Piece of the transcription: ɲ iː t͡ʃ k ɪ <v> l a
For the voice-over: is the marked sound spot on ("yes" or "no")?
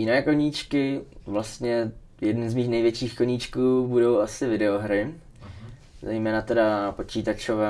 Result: yes